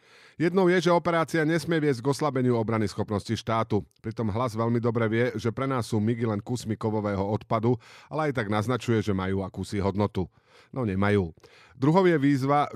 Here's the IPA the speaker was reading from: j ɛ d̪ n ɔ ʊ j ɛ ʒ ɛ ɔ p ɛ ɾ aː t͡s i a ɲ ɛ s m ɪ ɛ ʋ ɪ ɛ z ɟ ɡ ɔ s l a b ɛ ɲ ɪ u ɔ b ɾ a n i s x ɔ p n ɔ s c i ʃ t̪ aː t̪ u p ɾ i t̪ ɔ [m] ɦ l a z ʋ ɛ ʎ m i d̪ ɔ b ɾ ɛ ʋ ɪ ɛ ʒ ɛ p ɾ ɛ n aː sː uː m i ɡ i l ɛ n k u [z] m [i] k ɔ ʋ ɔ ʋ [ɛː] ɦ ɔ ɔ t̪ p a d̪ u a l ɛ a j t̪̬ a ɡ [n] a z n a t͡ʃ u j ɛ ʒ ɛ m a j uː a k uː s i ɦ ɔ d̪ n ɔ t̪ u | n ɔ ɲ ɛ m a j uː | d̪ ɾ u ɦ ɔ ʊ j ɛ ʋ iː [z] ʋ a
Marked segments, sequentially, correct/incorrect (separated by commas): correct, incorrect, correct, correct, correct, correct